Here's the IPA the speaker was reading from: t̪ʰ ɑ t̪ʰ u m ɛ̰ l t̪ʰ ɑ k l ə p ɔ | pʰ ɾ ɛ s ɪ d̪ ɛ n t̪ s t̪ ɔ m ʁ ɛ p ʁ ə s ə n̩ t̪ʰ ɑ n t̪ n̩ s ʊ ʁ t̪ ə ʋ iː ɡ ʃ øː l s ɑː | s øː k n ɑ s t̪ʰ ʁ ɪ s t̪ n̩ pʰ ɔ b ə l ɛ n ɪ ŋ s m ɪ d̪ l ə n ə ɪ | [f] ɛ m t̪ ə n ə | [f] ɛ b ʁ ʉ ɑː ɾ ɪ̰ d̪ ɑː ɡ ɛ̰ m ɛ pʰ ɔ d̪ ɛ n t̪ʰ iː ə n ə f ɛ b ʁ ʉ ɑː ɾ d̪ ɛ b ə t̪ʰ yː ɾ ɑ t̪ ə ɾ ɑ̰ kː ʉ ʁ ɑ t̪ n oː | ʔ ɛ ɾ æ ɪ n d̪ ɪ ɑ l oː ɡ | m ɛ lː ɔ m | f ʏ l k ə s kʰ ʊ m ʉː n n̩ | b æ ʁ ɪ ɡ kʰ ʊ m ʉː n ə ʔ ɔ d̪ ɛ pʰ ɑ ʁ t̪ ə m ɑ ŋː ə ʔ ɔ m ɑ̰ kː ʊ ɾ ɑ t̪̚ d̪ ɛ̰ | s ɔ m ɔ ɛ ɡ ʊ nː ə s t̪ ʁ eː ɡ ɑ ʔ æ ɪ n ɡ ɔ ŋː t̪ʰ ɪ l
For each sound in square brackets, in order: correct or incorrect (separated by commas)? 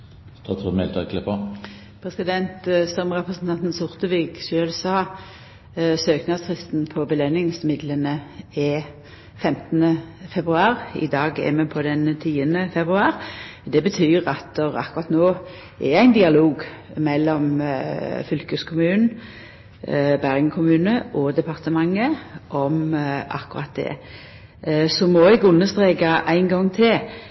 correct, correct